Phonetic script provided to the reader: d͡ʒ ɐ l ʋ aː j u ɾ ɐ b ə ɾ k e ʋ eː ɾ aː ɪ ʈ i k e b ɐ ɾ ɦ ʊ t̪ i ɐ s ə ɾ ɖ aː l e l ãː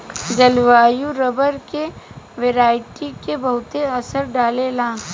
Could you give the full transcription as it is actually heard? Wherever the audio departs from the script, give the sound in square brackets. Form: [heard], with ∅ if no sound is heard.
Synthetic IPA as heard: d͡ʒ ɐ l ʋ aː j u ɾ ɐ b ə ɾ k e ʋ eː ɾ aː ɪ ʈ i k e b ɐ [∅] ɦ ʊ t̪ [e] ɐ s ə ɾ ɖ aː l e l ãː